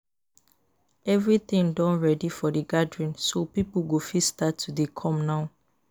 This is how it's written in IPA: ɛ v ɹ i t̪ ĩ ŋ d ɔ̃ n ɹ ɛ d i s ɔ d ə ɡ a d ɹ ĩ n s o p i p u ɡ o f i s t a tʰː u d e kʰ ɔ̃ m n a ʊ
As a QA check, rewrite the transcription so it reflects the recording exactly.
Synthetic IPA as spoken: ɛ v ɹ i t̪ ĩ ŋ d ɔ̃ n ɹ ɛ d i f ɔ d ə ɡ a d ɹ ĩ n s o p i p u ɡ o f i s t a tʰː u d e kʰ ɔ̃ m n a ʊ

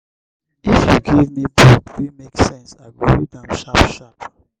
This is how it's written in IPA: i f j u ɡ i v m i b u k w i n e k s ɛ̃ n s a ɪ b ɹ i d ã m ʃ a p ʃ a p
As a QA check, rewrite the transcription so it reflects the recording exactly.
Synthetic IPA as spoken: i f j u ɡ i v m i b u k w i m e k s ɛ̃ n s a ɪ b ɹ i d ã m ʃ a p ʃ a p

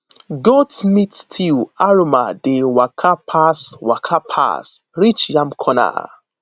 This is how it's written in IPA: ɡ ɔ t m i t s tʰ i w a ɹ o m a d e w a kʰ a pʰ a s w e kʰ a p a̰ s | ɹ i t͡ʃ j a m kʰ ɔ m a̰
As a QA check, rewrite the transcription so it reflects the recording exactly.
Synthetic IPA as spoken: ɡ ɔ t m i t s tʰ i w a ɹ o m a d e w a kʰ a pʰ a s w a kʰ a pʰ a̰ s | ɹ i t͡ʃ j a m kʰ ɔ n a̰

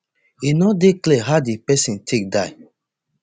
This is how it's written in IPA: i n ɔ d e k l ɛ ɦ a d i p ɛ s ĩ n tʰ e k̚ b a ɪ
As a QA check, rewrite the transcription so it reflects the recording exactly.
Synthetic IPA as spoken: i n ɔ d e k l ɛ ɦ a d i p ɛ s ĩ n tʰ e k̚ d a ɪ

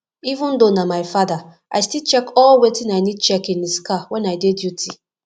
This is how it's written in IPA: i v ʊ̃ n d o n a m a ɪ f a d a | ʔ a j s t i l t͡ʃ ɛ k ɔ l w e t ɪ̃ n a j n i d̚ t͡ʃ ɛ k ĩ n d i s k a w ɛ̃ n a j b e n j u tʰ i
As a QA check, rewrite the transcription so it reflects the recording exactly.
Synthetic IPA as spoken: i v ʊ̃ n d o n a m a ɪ f a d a | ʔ a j s t i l t͡ʃ ɛ k ɔ l w e t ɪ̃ n a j n i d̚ t͡ʃ ɛ k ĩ n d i s k a w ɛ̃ n a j d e d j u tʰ i

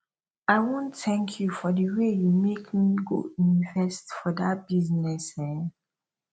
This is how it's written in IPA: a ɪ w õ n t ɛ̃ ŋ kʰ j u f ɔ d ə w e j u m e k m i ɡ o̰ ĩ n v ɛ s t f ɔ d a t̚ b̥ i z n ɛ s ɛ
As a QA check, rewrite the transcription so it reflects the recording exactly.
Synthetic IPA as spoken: a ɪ w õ n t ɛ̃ ŋ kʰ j u f ɔ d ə w e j u m e k m i ɡ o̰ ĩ n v ɛ s t f ɔ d a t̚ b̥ i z n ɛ s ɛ

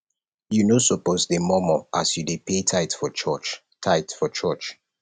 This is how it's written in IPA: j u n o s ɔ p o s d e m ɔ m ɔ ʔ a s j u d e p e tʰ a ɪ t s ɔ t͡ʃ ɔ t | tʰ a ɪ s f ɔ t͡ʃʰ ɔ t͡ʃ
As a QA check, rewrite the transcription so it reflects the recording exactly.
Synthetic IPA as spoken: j u n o s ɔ p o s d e m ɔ m ɔ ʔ a s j u d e p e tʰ a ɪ t f ɔ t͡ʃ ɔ t͡ʃ | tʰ a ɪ t f ɔ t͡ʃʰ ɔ t͡ʃ

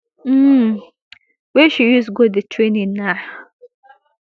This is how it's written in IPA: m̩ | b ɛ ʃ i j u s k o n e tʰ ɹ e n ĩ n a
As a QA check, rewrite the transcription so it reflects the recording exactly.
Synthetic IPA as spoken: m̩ | w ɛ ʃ i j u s ɡ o d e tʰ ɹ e n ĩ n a

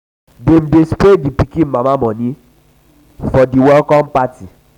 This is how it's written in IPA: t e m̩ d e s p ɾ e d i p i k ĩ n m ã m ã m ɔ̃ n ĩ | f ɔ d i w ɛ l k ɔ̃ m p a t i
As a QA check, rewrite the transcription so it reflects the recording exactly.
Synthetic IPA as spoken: d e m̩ d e s p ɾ e d i p i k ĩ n m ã m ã m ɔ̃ n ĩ | f ɔ d i w ɛ l k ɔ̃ m p a t i

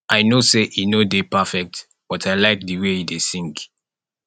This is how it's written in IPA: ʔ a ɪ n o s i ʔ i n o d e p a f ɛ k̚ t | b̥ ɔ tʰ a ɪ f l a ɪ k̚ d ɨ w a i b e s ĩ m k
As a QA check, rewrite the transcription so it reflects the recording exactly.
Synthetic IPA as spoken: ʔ a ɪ n o s e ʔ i n o d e p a f ɛ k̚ t | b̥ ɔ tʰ a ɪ l a ɪ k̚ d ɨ w e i d e s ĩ ŋ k

